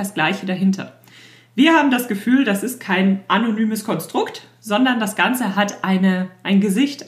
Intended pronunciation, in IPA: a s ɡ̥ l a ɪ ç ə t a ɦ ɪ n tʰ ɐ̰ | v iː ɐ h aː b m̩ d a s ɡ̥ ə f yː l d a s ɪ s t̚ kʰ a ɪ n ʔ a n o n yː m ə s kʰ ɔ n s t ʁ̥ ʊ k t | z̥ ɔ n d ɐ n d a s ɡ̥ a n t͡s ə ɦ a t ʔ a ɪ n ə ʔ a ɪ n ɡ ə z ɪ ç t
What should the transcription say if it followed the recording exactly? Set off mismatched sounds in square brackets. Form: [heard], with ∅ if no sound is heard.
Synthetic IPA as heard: a s ɡ̥ l a ɪ ç ə [d] a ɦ ɪ n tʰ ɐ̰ | v iː ɐ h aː b m̩ d a s ɡ̥ ə f yː l d a s ɪ s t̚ kʰ a ɪ n ʔ a n o n yː m ə s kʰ ɔ n s t ʁ̥ ʊ k t | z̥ ɔ n d ɐ n d a s ɡ̥ a n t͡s ə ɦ a t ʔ a ɪ n ə ʔ a ɪ n ɡ ə z ɪ ç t